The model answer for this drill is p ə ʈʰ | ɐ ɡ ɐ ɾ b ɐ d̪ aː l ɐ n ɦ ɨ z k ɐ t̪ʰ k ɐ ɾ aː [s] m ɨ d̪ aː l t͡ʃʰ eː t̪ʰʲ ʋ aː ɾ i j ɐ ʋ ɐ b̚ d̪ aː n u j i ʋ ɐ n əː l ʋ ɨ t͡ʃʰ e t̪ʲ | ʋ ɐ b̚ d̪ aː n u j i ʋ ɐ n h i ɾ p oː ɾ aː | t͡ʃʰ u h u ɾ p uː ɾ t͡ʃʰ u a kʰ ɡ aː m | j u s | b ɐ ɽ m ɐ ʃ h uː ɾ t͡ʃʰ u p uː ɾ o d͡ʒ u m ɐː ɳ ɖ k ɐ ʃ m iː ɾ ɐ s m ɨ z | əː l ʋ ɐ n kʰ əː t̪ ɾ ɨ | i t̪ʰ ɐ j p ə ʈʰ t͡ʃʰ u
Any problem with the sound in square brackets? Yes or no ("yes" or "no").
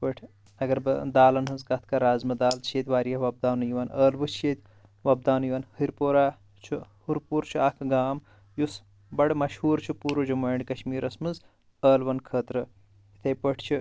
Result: yes